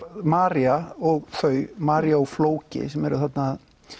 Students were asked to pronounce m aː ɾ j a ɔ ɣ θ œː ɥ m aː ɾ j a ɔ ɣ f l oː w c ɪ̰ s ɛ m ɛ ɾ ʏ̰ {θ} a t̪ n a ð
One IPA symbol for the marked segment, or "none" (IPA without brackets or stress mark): θ